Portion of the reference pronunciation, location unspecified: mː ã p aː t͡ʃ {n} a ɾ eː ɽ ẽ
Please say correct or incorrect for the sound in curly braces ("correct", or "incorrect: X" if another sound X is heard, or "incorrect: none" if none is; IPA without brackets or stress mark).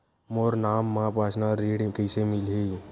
correct